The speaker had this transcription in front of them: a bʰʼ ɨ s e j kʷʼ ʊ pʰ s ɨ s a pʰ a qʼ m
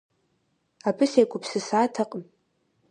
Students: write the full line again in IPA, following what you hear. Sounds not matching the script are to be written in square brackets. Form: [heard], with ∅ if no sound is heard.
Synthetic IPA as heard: a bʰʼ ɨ s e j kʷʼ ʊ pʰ s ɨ s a [tʰ] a qʼ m

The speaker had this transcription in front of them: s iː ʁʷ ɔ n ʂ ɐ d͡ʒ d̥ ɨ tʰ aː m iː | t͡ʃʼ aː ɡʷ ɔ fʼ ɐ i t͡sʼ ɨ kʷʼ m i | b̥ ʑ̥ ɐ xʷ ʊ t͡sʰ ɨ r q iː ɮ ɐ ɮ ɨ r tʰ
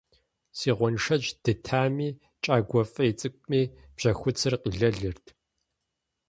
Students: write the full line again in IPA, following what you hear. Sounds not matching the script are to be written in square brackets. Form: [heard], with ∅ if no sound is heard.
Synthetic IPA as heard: s iː ʁʷ ɔ n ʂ ɐ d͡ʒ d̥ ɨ tʰ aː m iː | t͡ʃʼ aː ɡʷ ɔ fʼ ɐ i t͡sʼ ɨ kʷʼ m [iː] | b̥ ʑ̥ ɐ xʷ ʊ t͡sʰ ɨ r q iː ɮ ɐ ɮ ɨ r tʰ

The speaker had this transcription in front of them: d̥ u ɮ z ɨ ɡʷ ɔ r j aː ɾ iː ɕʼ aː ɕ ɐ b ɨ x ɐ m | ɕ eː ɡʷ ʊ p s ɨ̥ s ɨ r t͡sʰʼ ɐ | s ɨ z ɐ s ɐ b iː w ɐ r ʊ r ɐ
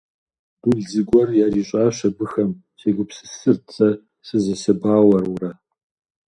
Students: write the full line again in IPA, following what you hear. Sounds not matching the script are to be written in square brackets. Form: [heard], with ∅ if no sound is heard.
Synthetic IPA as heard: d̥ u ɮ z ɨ ɡʷ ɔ r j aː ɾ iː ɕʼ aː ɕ ɐ b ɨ x ɐ m | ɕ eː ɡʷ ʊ p s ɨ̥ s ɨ r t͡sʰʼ ɐ | s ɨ z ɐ s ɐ b [aː] w ɐ r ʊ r ɐ

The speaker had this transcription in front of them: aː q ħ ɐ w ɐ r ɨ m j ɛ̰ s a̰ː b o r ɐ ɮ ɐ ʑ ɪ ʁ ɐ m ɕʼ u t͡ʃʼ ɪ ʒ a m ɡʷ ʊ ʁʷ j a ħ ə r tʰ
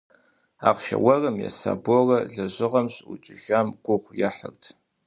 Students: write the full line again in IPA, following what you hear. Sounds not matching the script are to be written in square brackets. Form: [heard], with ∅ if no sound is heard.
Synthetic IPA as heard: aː q [ʃ] ɐ w ɐ r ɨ m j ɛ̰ s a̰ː b o r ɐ ɮ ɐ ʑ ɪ ʁ ɐ m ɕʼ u t͡ʃʼ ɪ ʒ a m ɡʷ ʊ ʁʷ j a ħ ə r tʰ

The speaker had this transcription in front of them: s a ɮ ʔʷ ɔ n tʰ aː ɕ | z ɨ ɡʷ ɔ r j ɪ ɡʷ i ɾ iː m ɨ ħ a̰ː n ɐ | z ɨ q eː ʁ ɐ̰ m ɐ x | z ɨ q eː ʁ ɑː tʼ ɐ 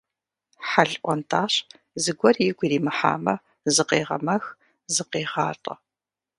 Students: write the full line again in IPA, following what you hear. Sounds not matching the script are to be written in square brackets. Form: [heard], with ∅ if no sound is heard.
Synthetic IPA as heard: [ħ] a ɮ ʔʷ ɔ n tʰ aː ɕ | z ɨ ɡʷ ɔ r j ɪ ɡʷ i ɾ iː m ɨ ħ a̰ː [m] ɐ | z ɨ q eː ʁ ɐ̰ m ɐ x | z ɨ q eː ʁ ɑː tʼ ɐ

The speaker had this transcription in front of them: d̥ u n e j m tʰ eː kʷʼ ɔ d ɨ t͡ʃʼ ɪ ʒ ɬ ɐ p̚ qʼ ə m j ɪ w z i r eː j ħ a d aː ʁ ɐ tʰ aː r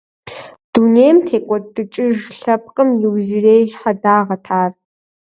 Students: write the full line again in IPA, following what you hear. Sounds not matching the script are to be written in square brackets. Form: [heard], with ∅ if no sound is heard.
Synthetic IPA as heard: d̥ u n e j m tʰ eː kʷʼ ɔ d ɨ t͡ʃʼ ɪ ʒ ɬ ɐ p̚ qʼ ə m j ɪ w z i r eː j ħ a d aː ʁ ɐ tʰ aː r

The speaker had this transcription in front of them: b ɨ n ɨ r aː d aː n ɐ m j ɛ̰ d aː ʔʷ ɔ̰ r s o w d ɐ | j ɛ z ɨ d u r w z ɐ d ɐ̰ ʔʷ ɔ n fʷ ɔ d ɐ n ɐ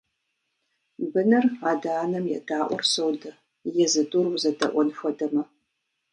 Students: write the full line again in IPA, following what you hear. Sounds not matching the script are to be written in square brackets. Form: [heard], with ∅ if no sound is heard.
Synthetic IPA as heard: b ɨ n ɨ r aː d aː n ɐ m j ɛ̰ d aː ʔʷ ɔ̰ r s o w d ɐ | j ɛ z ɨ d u r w z ɐ d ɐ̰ ʔʷ ɔ n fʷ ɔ d ɐ [m] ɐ

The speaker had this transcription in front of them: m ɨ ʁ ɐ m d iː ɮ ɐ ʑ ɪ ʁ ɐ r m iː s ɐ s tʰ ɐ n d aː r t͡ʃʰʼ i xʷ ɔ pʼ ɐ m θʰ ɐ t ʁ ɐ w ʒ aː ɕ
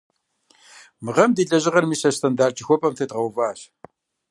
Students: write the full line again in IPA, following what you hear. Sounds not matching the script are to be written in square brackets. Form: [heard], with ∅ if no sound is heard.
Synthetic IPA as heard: m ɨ ʁ ɐ m d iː ɮ ɐ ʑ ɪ ʁ ɐ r m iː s ɐ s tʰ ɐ n d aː r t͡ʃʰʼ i xʷ ɔ pʼ ɐ m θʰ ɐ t ʁ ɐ w [v] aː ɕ

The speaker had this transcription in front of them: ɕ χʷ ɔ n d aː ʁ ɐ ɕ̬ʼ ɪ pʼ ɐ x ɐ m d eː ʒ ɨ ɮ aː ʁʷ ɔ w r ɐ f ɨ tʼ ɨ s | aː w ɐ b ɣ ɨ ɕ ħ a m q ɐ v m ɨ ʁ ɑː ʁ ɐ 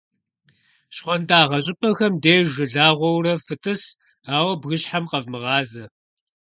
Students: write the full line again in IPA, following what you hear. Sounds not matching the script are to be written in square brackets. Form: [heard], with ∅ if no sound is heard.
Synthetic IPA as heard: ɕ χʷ ɔ n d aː ʁ ɐ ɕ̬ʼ ɪ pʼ ɐ x ɐ m d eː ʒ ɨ ɮ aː ʁʷ ɔ w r ɐ f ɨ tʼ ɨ s | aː w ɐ b ɣ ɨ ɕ ħ a m q ɐ v m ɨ ʁ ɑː [z] ɐ

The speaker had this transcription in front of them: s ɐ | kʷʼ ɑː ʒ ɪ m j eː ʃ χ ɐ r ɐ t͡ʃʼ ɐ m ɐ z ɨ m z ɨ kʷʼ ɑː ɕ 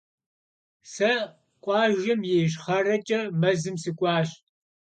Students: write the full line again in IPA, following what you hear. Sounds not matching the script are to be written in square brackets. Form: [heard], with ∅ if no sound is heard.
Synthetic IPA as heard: s ɐ | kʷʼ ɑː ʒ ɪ m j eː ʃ χ ɐ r ɐ t͡ʃʼ ɐ m ɐ z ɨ m [s] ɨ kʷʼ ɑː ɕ

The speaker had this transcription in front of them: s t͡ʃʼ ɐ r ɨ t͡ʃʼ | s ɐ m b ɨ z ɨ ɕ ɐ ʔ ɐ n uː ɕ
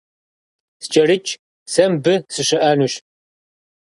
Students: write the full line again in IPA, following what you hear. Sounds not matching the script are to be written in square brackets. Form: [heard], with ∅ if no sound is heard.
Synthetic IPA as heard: s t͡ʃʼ ɐ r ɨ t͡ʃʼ | s ɐ m b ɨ [s] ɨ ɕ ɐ ʔ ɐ n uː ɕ

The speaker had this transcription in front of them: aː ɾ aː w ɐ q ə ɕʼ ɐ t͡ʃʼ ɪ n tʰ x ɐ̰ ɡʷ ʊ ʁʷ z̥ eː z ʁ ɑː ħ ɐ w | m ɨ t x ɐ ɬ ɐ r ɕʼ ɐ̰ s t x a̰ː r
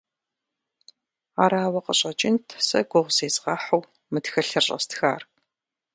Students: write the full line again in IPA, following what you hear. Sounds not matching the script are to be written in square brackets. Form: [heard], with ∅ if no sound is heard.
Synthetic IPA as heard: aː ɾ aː w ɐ q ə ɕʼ ɐ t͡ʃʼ ɪ n tʰ [s] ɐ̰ ɡʷ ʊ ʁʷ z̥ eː z ʁ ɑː ħ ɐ w | m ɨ t x ɐ ɬ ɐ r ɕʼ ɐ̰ s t x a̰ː r

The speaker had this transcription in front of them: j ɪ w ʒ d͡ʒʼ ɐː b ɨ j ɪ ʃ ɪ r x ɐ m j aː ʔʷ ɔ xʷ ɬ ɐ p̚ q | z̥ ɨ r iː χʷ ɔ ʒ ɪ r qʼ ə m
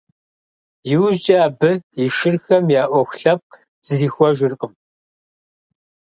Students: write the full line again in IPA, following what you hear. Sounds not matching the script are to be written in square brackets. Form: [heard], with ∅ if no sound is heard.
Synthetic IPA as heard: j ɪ w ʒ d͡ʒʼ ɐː b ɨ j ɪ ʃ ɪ r x ɐ m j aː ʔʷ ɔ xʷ ɬ ɐ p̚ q | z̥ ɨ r iː [xʷ] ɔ ʒ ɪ r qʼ ə m

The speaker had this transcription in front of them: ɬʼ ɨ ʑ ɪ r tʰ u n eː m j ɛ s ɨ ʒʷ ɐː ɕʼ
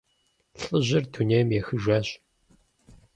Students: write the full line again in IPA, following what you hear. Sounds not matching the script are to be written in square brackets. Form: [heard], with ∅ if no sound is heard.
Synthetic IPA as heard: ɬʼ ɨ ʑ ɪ r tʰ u n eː m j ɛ [x] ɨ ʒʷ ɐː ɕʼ

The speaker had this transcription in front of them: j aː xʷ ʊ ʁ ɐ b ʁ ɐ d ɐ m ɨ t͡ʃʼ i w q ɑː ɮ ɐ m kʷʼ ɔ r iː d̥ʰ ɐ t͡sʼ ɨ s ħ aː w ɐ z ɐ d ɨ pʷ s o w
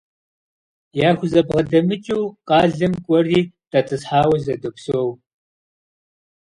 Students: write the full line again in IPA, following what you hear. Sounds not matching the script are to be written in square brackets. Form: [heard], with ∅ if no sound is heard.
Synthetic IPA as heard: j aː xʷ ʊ [z] ɐ b ʁ ɐ d ɐ m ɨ t͡ʃʼ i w q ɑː ɮ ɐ m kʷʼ ɔ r iː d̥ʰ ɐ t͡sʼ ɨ s ħ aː w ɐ z ɐ d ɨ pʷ s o w

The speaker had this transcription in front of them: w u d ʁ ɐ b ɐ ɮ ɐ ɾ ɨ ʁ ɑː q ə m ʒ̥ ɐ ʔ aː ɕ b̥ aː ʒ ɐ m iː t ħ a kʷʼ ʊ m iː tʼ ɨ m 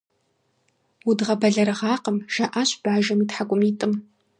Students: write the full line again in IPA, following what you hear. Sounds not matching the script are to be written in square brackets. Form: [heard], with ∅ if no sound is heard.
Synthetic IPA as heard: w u d ʁ ɐ b ɐ ɮ ɐ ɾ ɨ ʁ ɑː q ə m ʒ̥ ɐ ʔ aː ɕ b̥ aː ʒ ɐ m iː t ħ a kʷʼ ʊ m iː tʼ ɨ m

